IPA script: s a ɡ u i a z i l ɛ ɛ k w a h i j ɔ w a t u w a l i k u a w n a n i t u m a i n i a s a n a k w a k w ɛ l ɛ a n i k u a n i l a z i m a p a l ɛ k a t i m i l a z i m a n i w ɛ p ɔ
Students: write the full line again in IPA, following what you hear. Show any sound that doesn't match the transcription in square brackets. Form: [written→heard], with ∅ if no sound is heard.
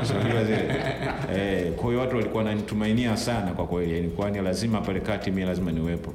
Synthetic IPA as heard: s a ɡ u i a z i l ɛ ɛ k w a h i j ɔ w a t u w a l i k u a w n a n i t u m a i n i a s a n a k w a k w ɛ l [ɛ→i] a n i k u a n i l a z i m a p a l ɛ k a t i m i l a z i m a n i w ɛ p ɔ